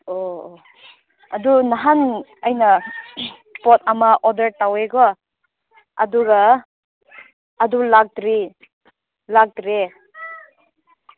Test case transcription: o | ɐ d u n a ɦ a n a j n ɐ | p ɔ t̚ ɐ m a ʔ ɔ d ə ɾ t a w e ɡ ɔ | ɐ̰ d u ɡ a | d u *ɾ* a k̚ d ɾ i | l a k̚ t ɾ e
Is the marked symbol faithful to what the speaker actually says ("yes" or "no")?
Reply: no